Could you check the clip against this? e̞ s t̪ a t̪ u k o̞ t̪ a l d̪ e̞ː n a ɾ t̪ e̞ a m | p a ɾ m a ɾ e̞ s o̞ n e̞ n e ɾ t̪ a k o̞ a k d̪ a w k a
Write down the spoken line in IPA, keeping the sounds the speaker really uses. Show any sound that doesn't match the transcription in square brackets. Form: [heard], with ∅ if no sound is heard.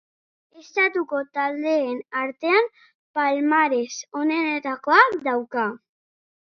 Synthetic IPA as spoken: e̞ s t̪ a t̪ u k o̞ t̪ a l d̪ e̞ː n a ɾ t̪ e̞ a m | p a [l] m a ɾ e̞ s o̞ n e̞ n e [∅] t̪ a k o̞ a k d̪ a w k a

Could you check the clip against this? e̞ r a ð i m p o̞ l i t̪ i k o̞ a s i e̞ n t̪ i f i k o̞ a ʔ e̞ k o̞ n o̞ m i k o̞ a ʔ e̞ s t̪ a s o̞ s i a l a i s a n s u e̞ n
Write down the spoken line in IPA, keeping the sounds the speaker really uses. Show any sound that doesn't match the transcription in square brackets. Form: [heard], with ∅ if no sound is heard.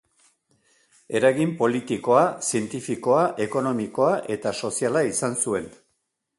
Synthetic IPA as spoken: e̞ [ɾ] a [ɣ] i m p o̞ l i t̪ i k o̞ a s i e̞ n t̪ i f i k o̞ a ʔ e̞ k o̞ n o̞ m i k o̞ a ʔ e̞ [∅] t̪ a s o̞ s i a l a i s a n s u e̞ n

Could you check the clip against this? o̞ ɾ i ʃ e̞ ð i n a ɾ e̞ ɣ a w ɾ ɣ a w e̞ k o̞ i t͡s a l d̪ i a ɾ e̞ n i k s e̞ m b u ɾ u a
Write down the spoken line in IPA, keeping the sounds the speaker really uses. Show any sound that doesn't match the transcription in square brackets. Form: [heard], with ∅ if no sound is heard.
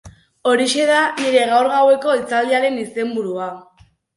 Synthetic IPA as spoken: o̞ ɾ i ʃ e̞ ð [a] n [i] ɾ e̞ ɣ a w ɾ ɣ a w e̞ k o̞ i t͡s a l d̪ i a ɾ e̞ n i [∅] s e̞ m b u ɾ u a

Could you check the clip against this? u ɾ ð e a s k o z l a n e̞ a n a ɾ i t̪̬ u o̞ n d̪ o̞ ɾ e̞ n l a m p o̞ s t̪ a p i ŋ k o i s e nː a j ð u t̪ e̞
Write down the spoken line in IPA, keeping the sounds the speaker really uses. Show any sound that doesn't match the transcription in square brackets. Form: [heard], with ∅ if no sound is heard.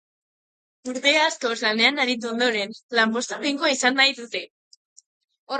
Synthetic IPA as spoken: u ɾ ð e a s k o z l a n e̞ a n a ɾ i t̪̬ u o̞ n d̪ o̞ ɾ e̞ n l a m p o̞ s t̪ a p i ŋ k o i s [a] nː a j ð u t̪ e̞

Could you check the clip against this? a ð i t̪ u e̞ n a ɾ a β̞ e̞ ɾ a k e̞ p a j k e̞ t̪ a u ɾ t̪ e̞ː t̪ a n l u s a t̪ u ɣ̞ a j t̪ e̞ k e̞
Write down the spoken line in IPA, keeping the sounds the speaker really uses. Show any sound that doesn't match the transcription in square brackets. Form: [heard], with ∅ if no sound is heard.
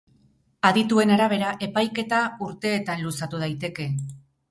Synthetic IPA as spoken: a ð i t̪ u e̞ n a ɾ a β̞ e̞ ɾ a [ʔ] e̞ p a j k e̞ t̪ a u ɾ t̪ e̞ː t̪ a n l u s a t̪ u [ð̞] a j t̪ e̞ k e̞

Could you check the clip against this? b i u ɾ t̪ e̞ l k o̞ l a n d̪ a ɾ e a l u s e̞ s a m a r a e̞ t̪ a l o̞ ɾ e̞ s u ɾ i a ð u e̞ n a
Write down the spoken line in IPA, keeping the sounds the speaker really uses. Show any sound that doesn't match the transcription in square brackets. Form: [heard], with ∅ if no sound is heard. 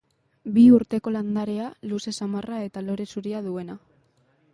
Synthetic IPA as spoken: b i u ɾ t̪ e̞ [∅] k o̞ l a n d̪ a ɾ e a l u s e̞ s a m a r a e̞ t̪ a l o̞ ɾ e̞ s u ɾ i a ð u e̞ n a

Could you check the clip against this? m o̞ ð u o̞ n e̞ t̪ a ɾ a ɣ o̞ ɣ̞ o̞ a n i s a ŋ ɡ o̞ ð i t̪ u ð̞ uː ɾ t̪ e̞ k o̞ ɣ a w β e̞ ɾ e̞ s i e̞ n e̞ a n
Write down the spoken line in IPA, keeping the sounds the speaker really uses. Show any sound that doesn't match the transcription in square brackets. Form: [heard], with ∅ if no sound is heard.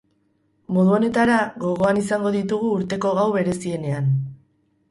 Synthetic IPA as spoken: m o̞ ð u o̞ n e̞ t̪ a ɾ a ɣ o̞ ɣ̞ o̞ a n i s a ŋ ɡ o̞ ð i t̪ u [ɣ̞] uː ɾ t̪ e̞ k o̞ ɣ a w β e̞ ɾ e̞ s i e̞ n e̞ a n

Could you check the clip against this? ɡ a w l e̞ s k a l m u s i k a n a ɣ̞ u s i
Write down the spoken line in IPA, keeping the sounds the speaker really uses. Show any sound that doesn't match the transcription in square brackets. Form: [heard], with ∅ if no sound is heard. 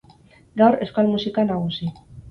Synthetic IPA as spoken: ɡ a w [ɾ] e̞ s k a l m u s i k a n a ɣ̞ u s i

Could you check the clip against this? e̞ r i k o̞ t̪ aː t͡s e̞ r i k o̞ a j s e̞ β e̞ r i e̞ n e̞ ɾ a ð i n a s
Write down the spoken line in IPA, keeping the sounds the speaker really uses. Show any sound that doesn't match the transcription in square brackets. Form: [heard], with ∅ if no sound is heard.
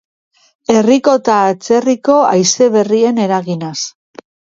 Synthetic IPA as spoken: e̞ r i k o̞ t̪ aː t͡s e̞ r i k o̞ a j s e̞ β e̞ r i e̞ n e̞ ɾ a [ɣ] i n a s

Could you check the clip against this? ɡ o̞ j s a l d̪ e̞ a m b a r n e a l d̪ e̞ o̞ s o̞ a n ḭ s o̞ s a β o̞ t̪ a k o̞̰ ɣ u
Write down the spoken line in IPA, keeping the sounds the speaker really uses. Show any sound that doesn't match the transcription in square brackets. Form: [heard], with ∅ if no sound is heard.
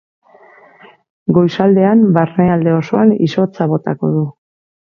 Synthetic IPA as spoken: ɡ o̞ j s a l d̪ e̞ a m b a r n e a l d̪ e̞ o̞ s o̞ a n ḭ s o̞ [t͡s] a β o̞ t̪ a k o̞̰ [ð] u

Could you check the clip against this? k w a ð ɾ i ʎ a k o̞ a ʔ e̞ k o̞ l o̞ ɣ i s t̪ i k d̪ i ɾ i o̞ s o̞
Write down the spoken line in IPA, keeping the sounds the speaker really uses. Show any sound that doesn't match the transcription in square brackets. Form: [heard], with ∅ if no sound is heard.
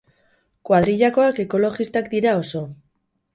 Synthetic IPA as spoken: k w a ð ɾ i ʎ a k o̞ a [k] e̞ k o̞ l o̞ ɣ i s t̪ [a] k d̪ i ɾ [a] o̞ s o̞

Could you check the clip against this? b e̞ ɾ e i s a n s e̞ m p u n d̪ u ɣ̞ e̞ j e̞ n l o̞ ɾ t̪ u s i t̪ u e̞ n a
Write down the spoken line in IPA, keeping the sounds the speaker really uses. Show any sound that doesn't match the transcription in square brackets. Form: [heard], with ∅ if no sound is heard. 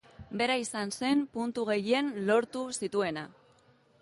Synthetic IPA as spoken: b e̞ ɾ [a] i s a n s e̞ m p u n [t̪] u ɣ̞ e̞ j e̞ n l o̞ ɾ t̪ u s i t̪ u e̞ n a

